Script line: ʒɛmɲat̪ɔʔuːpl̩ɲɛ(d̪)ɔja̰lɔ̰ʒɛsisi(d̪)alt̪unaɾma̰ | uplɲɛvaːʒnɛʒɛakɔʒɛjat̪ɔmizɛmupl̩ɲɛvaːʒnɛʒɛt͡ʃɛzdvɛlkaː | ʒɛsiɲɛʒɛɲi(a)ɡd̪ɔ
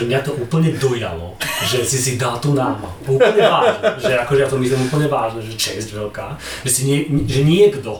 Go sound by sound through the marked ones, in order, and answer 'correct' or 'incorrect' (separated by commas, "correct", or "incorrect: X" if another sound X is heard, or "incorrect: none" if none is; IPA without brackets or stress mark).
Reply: correct, correct, incorrect: ɛ